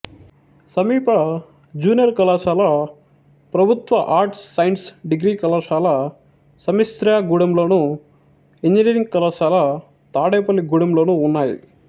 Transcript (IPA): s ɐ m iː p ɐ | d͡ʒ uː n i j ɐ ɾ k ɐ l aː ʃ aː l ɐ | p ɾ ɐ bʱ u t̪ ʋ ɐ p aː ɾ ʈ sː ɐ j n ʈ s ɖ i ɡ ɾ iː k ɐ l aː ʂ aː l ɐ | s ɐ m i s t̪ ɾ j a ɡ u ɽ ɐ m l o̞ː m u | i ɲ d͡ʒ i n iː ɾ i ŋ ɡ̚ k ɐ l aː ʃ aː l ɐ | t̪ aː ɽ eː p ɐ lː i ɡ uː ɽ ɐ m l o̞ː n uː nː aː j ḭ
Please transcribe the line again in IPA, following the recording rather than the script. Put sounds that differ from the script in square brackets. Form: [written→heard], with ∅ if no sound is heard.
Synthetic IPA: s ɐ m iː p ɐ | d͡ʒ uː n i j ɐ ɾ k ɐ l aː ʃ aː l ɐ | p ɾ ɐ bʱ u t̪ ʋ ɐ [p→ʔ] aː ɾ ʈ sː ɐ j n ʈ s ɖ i ɡ ɾ iː k ɐ l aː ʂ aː l ɐ | s ɐ m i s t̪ ɾ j a ɡ u ɽ ɐ m l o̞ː [m→n] u | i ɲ d͡ʒ i n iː ɾ i ŋ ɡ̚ k ɐ l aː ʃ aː l ɐ | t̪ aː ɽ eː p ɐ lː i ɡ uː ɽ ɐ m l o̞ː n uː nː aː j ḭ

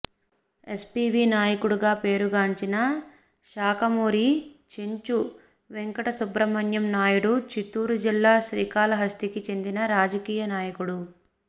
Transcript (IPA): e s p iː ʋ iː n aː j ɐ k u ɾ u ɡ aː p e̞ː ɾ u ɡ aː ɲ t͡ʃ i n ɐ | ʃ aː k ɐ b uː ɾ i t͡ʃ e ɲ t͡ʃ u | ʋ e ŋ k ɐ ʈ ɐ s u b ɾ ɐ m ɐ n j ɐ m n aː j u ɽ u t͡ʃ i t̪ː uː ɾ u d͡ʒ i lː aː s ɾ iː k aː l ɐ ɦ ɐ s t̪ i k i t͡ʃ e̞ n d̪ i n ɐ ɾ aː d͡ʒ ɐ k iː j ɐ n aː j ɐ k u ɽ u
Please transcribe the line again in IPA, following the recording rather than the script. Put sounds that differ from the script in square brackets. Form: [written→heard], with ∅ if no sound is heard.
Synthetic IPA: e s p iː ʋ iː n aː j ɐ k u [ɾ→ɽ] u ɡ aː p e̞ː ɾ u ɡ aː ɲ t͡ʃ i n ɐ | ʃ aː k ɐ [b→m] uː ɾ i t͡ʃ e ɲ t͡ʃ u | ʋ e ŋ k ɐ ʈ ɐ s u b ɾ ɐ m ɐ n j ɐ m n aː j u ɽ u t͡ʃ i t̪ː uː ɾ u d͡ʒ i lː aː [s→ʃ] ɾ iː k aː l ɐ ɦ ɐ s t̪ i k i t͡ʃ e̞ n d̪ i n ɐ ɾ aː d͡ʒ ɐ k iː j ɐ n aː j ɐ k u ɽ u

